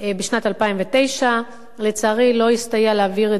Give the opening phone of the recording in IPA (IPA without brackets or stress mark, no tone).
b